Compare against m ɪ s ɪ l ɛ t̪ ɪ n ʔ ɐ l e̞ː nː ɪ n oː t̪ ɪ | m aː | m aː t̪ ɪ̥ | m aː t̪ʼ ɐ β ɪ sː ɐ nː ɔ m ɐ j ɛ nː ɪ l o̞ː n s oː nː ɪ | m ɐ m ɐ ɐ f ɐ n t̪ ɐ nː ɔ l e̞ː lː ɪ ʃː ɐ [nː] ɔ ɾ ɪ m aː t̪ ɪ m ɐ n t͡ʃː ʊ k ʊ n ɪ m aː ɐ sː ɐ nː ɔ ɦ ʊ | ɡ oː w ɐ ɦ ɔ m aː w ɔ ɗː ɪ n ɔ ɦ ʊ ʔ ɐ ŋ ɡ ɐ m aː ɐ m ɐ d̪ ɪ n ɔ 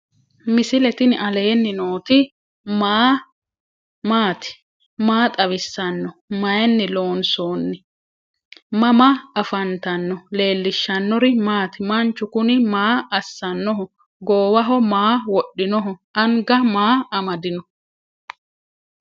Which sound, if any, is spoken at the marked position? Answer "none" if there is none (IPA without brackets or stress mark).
nː